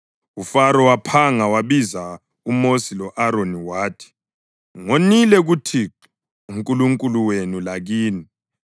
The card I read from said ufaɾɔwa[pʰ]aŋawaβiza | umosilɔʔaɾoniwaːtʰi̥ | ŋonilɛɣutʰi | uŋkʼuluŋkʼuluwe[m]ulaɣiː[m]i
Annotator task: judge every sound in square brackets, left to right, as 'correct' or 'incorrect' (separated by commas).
correct, incorrect, incorrect